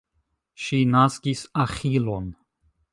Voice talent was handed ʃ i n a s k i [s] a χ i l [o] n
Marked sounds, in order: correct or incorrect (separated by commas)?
correct, correct